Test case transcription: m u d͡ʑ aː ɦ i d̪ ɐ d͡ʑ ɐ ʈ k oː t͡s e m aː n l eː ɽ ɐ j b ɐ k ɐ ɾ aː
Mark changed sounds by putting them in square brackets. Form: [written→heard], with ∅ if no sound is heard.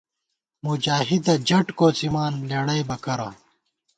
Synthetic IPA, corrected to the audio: m u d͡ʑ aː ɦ i d̪ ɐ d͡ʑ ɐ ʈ k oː t͡s [e→i] m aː n l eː ɽ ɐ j b ɐ k ɐ ɾ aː